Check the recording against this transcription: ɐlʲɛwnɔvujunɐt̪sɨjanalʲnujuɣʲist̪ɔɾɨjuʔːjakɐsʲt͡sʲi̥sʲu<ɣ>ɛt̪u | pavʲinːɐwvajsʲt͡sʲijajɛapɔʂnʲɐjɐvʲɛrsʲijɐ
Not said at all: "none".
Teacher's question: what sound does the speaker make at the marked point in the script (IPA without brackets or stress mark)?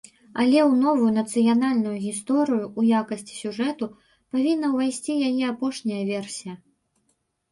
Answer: ʐ